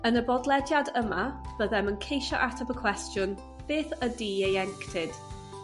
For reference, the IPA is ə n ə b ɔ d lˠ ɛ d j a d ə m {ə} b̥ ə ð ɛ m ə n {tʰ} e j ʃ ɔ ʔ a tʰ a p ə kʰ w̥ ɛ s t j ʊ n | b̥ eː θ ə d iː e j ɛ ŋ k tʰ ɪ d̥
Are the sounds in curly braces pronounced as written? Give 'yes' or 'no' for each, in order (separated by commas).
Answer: no, no